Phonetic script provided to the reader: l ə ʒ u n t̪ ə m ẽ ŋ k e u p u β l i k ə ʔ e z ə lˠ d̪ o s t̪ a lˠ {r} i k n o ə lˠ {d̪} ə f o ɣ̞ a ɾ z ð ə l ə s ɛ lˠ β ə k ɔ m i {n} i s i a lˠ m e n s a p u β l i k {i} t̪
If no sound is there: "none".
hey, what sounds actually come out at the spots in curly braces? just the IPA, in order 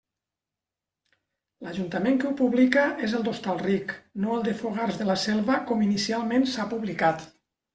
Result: r, d̪, n, a

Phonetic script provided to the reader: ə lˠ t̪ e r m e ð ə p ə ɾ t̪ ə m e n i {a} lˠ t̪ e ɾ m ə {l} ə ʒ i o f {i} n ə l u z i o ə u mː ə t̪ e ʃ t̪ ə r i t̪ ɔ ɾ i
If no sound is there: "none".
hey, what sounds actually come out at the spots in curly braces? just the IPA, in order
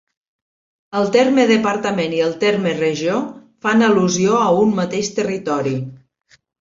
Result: ə, r, a

